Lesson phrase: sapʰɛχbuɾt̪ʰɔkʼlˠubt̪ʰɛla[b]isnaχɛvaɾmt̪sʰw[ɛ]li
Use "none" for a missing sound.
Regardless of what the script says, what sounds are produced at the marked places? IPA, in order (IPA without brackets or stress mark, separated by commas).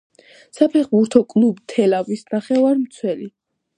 v, ɛ